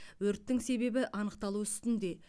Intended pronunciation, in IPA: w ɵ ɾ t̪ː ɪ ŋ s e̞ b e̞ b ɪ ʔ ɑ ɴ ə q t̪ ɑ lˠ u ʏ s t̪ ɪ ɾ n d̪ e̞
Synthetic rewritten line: w ɵ ɾ t̪ː ɪ ŋ s e̞ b e̞ b ɪ ʔ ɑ n ə q t̪ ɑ lˠ u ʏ s t̪ ɪ n d̪ e̞